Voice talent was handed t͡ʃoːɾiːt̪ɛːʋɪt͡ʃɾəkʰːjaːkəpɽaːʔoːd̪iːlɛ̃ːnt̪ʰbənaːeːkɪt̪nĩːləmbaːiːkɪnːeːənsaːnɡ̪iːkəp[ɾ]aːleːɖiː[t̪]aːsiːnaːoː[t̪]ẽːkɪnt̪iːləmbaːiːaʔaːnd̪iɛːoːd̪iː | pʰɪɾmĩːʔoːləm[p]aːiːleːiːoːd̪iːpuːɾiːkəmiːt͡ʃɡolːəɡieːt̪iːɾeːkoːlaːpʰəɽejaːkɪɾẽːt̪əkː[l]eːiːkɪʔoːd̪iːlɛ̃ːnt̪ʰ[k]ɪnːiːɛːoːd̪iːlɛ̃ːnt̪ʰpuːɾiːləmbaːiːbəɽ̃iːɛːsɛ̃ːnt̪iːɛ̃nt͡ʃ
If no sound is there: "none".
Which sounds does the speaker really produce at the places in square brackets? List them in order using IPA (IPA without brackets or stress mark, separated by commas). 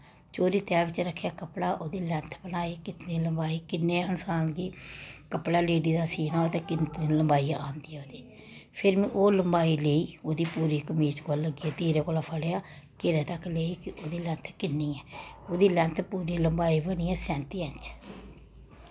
ɽ, d̪, t̪, b, l, k